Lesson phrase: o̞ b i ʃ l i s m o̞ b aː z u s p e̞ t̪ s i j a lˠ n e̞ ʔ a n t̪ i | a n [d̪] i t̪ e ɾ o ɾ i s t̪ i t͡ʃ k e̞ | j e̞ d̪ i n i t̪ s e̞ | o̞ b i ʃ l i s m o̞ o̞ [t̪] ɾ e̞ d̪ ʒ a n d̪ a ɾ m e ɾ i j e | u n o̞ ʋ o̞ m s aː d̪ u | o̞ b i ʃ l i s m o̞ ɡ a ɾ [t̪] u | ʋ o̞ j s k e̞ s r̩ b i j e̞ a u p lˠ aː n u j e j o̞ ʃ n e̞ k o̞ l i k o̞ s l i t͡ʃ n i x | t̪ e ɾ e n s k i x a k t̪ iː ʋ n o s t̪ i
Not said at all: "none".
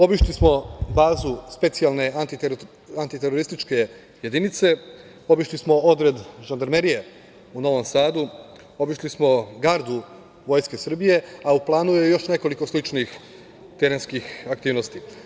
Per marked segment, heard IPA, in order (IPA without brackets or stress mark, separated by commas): t̪, d̪, d̪